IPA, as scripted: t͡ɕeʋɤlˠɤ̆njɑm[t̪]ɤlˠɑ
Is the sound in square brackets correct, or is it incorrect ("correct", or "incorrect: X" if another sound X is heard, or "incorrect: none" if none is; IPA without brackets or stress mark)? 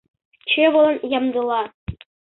incorrect: d̪